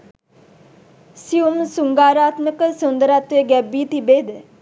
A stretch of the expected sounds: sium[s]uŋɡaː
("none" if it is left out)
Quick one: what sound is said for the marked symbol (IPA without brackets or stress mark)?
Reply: s